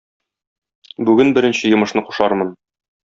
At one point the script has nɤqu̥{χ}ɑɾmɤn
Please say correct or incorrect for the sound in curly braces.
incorrect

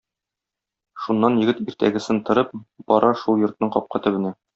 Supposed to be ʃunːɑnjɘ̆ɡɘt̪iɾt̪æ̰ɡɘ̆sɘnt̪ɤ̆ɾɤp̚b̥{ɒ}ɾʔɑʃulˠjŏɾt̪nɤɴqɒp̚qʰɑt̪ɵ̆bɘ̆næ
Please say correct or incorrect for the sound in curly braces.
correct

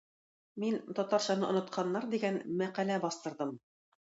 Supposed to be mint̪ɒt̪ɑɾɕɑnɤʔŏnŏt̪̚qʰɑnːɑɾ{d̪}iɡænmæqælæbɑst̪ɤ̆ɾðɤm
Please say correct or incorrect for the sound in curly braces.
correct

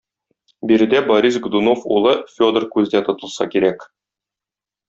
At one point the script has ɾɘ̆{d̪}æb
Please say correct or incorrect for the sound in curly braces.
correct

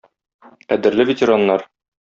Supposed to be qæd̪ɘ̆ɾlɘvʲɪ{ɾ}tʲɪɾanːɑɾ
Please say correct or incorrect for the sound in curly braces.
incorrect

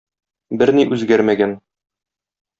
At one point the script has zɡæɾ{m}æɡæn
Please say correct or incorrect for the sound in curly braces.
correct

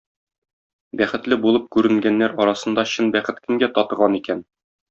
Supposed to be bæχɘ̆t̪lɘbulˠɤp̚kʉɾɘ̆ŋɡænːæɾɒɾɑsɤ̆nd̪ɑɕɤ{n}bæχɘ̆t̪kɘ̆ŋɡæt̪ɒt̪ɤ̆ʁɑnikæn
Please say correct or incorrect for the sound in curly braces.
correct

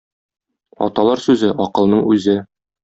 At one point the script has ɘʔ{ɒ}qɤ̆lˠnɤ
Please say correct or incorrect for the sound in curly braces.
correct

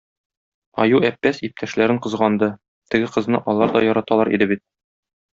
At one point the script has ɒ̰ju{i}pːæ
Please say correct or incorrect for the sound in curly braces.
incorrect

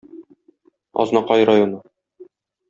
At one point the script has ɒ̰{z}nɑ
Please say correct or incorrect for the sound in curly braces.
correct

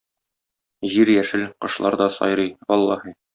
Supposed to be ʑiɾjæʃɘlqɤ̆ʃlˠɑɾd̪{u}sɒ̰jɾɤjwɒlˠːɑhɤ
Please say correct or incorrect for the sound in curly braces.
incorrect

